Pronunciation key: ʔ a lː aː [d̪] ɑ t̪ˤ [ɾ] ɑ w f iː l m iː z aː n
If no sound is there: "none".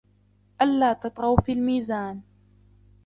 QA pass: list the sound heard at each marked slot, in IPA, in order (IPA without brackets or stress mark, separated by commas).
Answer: t̪, ɾ